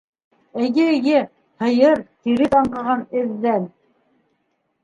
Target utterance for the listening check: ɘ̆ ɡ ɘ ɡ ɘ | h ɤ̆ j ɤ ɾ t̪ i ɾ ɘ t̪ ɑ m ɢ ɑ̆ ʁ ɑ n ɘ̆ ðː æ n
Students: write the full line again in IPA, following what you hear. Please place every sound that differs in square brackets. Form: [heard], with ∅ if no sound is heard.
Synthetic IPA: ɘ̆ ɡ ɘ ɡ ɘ | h ɤ̆ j ɤ ɾ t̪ i ɾ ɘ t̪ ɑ [ɴ] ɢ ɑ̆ ʁ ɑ n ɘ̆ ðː æ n